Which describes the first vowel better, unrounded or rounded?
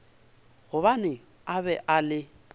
rounded